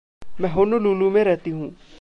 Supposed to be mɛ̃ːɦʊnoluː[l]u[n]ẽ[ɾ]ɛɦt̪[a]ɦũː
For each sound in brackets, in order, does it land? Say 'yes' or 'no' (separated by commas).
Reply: yes, no, yes, no